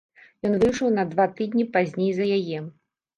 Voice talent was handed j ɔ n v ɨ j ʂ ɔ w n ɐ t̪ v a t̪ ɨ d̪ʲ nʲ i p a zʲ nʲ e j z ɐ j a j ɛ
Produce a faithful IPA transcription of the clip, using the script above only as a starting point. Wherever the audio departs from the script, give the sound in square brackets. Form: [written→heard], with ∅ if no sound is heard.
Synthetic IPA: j ɔ n v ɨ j ʂ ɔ w n ɐ [t̪→d̪] v a t̪ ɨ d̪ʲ nʲ i p a zʲ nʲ e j z ɐ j a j ɛ